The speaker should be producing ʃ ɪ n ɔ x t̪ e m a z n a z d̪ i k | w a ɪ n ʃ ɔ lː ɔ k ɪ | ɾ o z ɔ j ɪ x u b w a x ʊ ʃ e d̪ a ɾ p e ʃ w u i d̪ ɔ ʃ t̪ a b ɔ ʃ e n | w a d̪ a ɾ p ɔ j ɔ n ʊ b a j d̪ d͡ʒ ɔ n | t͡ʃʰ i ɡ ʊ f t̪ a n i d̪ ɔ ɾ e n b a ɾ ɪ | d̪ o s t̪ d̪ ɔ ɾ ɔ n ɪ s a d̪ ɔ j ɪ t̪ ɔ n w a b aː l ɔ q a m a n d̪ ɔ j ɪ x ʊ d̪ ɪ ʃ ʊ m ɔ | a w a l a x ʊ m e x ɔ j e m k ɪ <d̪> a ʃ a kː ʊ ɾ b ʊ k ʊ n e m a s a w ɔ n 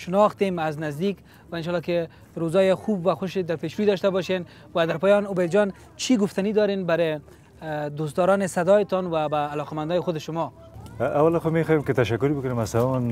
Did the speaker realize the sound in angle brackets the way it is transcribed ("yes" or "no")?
no